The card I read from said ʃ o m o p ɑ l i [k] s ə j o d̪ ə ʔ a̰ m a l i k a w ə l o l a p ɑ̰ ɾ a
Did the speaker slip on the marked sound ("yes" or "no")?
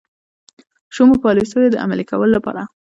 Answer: yes